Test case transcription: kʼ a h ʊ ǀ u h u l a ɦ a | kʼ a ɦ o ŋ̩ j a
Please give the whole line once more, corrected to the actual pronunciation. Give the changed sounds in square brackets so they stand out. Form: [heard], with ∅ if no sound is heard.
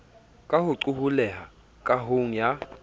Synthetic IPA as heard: kʼ a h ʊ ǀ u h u l [ɛ] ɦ a | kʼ a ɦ o ŋ̩ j a

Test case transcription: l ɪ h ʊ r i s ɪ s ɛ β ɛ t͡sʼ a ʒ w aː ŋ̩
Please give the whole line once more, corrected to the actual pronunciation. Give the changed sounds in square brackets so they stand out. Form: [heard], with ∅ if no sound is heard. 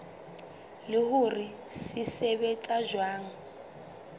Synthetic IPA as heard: l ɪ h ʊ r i s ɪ s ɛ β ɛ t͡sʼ a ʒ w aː ŋ̩

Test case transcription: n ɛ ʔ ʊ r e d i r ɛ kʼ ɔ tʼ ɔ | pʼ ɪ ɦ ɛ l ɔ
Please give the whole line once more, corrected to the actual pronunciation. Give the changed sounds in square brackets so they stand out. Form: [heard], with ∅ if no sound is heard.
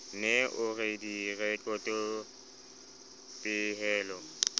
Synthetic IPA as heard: n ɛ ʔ ʊ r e d i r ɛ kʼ ɔ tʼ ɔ | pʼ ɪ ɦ [ɛː] l ɔ

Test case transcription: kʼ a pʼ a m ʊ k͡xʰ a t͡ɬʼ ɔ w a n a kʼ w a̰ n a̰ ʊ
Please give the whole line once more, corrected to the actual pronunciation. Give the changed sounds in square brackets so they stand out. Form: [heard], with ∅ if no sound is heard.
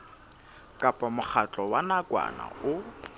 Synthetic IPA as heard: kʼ a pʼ a m ʊ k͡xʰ a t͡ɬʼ ɔ w a n a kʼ w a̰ n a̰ ʊ

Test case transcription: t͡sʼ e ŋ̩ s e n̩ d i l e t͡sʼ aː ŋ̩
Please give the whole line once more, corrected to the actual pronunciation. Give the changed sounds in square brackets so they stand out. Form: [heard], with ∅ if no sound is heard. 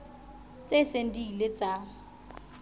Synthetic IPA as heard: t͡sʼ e [∅] s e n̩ d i l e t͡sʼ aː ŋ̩

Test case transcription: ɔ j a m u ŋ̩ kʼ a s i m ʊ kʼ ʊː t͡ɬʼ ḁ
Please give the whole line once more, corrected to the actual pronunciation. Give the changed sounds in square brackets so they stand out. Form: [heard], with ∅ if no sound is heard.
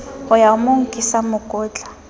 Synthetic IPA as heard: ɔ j a m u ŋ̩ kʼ [i] s [a] m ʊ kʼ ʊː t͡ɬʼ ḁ

